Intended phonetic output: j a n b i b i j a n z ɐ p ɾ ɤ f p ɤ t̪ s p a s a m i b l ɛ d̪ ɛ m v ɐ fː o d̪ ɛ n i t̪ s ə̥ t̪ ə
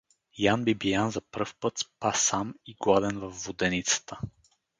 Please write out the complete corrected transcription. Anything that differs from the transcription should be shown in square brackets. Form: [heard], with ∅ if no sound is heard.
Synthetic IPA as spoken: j a n b i b i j a n z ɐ p ɾ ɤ f p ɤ t̪ s p a s a m i [ɡ] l [a] d̪ ɛ [n] v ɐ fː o d̪ ɛ n i t̪ s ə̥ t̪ ə

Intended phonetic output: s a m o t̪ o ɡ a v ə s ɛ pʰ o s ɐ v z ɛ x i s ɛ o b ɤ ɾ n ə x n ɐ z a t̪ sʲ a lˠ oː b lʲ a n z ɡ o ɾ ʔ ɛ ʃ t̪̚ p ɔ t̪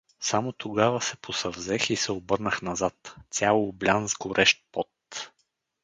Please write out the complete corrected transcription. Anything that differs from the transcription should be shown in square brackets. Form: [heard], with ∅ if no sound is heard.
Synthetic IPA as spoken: s a m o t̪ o ɡ a v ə s ɛ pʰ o s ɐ v z ɛ x i s ɛ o b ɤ ɾ n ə x n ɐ z a t̪ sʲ a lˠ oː b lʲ a n z ɡ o ɾ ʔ ɛ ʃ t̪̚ p ɔ t̪

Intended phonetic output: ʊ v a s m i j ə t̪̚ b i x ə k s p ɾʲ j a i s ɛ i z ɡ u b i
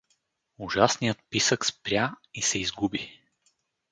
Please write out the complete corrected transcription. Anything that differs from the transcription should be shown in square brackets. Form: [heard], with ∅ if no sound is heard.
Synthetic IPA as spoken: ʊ [ʒ] a s [n] i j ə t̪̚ [p] i [s] ə k s p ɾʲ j a i s ɛ i z ɡ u b i

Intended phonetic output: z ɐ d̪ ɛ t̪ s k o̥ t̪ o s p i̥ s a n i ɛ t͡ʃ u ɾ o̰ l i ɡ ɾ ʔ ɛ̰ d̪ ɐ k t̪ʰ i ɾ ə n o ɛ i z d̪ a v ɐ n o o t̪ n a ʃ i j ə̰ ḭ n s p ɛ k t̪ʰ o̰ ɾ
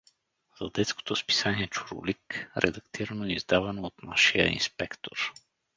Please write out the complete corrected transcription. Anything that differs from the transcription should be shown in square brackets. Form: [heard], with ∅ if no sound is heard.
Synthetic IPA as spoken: z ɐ d̪ ɛ t̪ s k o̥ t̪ o s p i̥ s a n i ɛ t͡ʃ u ɾ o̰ l i [k] ɾ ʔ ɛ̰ d̪ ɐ k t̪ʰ i ɾ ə n o ɛ i z d̪ a v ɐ n o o t̪ n a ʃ i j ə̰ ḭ n s p ɛ k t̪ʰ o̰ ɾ

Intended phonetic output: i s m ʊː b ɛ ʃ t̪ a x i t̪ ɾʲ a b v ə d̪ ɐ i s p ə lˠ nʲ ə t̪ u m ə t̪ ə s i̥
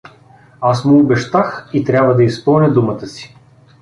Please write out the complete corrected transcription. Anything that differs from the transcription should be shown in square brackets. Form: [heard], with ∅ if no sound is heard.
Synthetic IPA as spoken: [a] s m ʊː b ɛ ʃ t̪ a x i t̪ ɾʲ a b v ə d̪ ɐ i s p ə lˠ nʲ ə [d̪] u m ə t̪ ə s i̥

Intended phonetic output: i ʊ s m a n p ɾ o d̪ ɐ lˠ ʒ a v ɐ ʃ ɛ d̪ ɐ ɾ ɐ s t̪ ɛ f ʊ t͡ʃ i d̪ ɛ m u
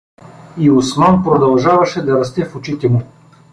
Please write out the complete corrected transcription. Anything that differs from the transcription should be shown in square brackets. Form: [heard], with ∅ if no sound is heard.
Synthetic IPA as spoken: i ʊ s m a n p ɾ o d̪ ɐ lˠ ʒ a v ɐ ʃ ɛ d̪ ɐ ɾ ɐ s t̪ ɛ f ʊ t͡ʃ i [t̪] ɛ m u

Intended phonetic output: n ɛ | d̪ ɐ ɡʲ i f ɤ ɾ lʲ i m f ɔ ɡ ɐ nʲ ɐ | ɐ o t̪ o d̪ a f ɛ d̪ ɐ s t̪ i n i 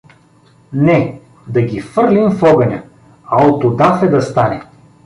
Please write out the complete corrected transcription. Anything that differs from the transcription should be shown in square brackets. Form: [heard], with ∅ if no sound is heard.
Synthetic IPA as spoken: n ɛ | d̪ ɐ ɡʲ i f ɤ ɾ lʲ i m f ɔ ɡ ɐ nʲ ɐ | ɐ o t̪ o d̪ a f ɛ d̪ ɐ s t̪ [a] n [ɛ]

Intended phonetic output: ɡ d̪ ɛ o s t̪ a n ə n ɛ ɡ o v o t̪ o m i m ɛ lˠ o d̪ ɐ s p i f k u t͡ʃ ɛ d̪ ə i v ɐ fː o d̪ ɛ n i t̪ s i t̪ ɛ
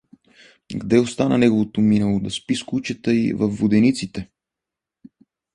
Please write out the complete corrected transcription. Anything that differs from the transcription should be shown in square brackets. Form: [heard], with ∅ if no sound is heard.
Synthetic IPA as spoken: ɡ d̪ ɛ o s t̪ a n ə n ɛ ɡ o v o t̪ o m i [n] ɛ lˠ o d̪ ɐ s p i [s] k u t͡ʃ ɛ [t̪] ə i v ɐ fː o d̪ ɛ n i t̪ s i t̪ ɛ

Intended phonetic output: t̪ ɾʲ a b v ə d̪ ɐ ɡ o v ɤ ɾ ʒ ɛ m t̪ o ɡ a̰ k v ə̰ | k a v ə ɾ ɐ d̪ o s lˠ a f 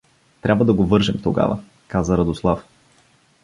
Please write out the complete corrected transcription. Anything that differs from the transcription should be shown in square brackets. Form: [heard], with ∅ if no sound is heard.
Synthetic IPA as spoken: t̪ ɾʲ a b v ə d̪ ɐ ɡ o v ɤ ɾ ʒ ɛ m t̪ o ɡ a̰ [∅] v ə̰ | k a [z] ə ɾ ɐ d̪ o s lˠ a f

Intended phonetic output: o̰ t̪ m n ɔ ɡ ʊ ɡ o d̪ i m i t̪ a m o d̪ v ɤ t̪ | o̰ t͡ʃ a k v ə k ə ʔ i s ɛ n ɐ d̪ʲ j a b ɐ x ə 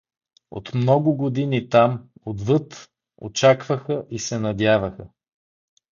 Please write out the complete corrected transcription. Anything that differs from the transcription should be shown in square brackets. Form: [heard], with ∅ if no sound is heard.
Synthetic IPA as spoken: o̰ t̪ m n ɔ ɡ ʊ ɡ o d̪ i [n] i t̪ a m o d̪ v ɤ t̪ | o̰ t͡ʃ a k v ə [x] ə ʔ i s ɛ n ɐ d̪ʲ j a [v] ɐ x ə

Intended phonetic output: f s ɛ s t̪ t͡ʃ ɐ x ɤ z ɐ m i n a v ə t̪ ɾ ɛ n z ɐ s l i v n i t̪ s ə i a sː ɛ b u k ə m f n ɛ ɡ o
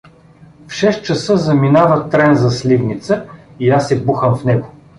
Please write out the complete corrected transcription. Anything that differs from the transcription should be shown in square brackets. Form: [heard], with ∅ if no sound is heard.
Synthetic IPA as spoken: f [ʃ] ɛ s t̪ t͡ʃ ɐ [s] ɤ z ɐ m i n a v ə t̪ ɾ ɛ n z ɐ s l i v n i t̪ s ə i a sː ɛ b u [x] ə m f n ɛ ɡ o

